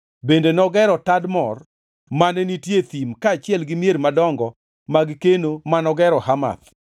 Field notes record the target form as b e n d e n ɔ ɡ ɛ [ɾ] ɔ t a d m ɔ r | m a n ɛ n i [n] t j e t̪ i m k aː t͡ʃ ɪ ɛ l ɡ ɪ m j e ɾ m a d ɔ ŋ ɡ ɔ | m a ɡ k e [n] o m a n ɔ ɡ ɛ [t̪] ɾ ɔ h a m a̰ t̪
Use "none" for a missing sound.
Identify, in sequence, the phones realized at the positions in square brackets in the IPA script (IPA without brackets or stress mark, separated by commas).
ɾ, none, n, none